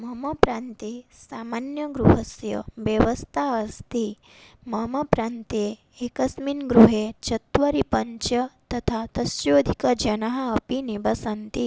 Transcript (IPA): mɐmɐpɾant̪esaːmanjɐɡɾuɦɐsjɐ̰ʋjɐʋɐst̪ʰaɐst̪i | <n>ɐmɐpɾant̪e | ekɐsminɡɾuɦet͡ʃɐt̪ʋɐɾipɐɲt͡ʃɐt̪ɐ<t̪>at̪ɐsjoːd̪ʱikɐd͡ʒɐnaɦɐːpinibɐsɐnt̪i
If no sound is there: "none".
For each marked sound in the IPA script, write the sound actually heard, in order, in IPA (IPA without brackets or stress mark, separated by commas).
m, t̪ʰ